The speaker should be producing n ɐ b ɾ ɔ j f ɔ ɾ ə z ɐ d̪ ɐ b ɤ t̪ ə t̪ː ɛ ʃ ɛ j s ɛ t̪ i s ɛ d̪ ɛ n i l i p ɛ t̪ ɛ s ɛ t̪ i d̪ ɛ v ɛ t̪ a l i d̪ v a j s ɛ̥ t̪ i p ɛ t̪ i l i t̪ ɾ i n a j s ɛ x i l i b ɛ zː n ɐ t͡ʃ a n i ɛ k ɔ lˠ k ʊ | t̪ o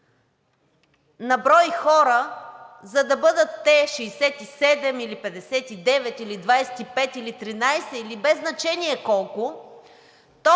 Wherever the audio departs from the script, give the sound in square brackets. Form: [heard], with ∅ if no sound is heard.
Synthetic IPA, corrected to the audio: n ɐ b ɾ ɔ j [x] ɔ ɾ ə z ɐ d̪ ɐ b ɤ [d̪] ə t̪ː ɛ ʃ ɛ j s ɛ t̪ i s ɛ d̪ ɛ [m] i l i p ɛ [d̪] ɛ s ɛ t̪ i d̪ ɛ v ɛ t̪ [i] l i d̪ v a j s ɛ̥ t̪ i p ɛ t̪ i l i t̪ ɾ i n a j s ɛ [∅] i l i b ɛ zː n ɐ t͡ʃ [ɛ] n i ɛ k ɔ lˠ k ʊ | t̪ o